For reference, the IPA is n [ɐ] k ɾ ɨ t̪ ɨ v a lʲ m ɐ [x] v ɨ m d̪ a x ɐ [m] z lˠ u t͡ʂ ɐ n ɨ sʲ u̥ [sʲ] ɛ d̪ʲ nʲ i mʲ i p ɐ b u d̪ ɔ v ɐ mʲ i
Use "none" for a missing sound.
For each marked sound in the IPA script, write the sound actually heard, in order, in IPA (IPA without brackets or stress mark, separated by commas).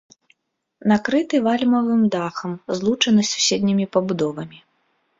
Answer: a, none, m, sʲ